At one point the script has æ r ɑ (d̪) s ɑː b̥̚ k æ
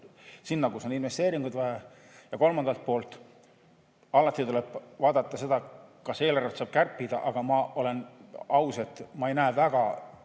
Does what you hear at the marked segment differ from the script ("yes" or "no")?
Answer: yes